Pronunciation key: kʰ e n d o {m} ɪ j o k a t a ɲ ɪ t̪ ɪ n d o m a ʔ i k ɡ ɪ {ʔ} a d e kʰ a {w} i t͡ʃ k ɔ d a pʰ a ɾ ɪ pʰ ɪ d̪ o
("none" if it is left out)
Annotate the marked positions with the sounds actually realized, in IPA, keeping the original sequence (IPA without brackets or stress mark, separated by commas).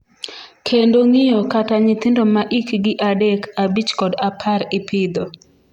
ŋ, ʔ, b